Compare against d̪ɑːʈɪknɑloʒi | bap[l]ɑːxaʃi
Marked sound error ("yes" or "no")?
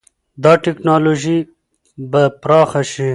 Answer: yes